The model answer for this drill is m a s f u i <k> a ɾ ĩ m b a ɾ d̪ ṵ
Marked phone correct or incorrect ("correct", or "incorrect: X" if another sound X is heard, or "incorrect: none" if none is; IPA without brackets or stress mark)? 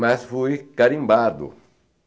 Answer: correct